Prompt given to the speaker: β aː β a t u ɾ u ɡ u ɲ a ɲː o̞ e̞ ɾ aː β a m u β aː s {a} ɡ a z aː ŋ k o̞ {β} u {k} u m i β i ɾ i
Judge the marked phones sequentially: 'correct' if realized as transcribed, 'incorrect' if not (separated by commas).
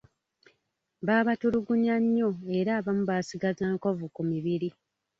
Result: incorrect, incorrect, correct